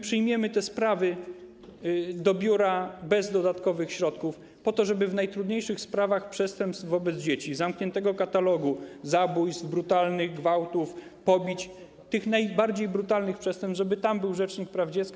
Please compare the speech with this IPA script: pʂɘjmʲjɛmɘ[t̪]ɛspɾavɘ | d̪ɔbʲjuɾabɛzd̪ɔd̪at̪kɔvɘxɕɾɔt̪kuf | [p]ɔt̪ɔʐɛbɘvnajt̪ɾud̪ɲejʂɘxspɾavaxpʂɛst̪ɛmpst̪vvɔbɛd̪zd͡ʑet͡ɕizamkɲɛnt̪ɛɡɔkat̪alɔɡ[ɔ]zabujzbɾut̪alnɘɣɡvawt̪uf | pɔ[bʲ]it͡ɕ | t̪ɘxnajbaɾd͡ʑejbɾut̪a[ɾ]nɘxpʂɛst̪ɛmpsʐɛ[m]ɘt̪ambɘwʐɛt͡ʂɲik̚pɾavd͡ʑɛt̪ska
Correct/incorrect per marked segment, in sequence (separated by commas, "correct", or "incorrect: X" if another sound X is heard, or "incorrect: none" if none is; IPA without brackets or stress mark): correct, correct, incorrect: u, correct, incorrect: l, incorrect: b